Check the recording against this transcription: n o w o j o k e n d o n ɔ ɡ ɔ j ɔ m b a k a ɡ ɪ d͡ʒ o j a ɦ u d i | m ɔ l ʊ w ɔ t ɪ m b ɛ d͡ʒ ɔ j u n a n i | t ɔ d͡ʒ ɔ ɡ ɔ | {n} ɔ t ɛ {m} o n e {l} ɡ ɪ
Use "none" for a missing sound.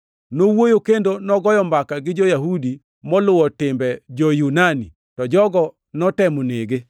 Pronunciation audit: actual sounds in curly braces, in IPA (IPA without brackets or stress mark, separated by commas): n, m, none